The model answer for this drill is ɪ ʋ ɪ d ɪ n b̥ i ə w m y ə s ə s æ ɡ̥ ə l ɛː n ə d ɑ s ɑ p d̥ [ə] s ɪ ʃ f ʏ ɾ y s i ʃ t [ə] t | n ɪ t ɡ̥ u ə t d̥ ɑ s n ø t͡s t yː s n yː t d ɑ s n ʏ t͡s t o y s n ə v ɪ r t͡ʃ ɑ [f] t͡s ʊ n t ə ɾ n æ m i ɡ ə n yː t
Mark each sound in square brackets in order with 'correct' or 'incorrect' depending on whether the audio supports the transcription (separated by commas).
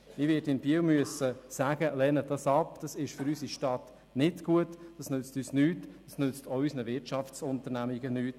incorrect, incorrect, correct